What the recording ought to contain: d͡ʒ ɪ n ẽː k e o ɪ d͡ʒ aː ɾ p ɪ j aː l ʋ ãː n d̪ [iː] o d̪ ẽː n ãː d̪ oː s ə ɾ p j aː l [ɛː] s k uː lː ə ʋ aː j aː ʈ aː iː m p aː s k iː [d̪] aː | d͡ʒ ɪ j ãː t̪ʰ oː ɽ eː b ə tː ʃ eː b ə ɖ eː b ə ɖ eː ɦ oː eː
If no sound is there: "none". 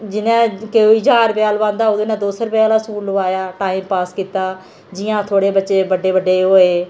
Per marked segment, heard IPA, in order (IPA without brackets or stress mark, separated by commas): aː, aː, t̪